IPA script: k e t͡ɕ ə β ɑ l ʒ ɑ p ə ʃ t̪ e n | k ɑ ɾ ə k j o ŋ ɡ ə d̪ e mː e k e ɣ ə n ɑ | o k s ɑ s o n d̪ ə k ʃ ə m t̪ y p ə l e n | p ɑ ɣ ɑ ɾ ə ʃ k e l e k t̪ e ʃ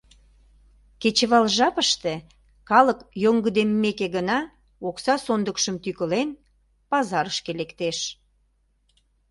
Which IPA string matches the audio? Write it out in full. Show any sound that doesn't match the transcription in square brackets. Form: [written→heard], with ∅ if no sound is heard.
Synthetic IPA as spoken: k e t͡ɕ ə β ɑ l ʒ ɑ p ə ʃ t̪ e [n→∅] | k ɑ [ɾ→l] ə k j o ŋ ɡ ə d̪ e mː e k e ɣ ə n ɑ | o k s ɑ s o n d̪ ə k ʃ ə m t̪ y [p→k] ə l e n | p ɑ [ɣ→z] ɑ ɾ ə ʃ k e l e k t̪ e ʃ